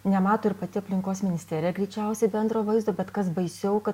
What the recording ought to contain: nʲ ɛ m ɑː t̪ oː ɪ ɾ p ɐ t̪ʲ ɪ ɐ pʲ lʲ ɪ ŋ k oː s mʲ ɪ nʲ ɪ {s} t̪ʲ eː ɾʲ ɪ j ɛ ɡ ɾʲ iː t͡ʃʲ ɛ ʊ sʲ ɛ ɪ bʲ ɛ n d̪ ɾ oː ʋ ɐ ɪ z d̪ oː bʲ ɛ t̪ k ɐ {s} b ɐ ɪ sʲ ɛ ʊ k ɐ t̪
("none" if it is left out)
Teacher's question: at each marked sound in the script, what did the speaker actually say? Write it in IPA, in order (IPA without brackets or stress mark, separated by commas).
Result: s, s